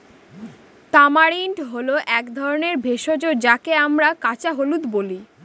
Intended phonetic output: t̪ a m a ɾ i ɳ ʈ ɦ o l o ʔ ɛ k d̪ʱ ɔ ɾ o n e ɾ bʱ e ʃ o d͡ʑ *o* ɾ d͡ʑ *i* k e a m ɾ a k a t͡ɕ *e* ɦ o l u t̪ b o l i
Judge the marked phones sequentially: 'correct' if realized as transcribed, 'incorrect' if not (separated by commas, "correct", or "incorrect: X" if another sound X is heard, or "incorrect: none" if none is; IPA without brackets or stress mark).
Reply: correct, incorrect: a, incorrect: a